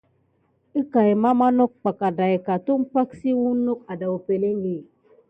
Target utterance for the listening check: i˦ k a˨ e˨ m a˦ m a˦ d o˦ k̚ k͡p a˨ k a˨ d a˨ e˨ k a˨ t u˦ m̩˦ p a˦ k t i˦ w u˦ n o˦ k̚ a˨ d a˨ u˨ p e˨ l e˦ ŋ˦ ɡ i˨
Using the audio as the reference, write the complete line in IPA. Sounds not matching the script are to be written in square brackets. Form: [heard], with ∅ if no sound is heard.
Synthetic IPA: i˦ k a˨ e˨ m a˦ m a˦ [n] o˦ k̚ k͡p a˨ k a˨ d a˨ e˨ k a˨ t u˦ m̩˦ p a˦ k [s] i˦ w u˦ n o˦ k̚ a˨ d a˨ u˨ p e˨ l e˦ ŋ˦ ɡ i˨